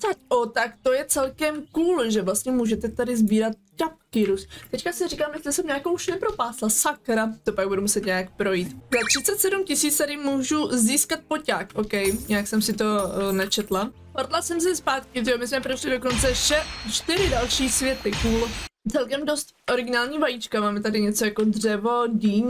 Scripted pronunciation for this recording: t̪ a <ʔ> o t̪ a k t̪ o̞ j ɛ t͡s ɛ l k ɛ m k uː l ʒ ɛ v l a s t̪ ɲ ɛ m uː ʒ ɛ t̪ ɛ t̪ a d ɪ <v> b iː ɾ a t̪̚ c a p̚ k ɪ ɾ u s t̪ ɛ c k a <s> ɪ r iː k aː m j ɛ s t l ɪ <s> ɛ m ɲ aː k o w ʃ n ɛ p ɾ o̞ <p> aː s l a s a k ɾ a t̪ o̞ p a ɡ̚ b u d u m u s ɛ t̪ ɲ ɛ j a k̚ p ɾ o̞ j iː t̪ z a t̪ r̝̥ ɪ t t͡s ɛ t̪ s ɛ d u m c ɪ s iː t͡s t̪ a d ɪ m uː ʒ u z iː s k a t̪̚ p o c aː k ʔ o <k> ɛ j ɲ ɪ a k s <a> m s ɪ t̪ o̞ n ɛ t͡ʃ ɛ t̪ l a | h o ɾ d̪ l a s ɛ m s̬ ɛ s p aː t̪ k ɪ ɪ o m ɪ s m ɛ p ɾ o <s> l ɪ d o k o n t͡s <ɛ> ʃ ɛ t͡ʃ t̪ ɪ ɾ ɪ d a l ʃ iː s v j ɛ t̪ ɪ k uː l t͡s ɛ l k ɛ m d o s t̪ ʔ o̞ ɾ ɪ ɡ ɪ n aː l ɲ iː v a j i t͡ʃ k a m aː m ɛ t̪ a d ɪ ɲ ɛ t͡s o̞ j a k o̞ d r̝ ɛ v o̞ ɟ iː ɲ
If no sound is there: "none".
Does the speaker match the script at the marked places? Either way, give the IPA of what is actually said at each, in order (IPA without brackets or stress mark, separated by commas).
c, z, s, s, p, k, ɛ, ʃ, ɛ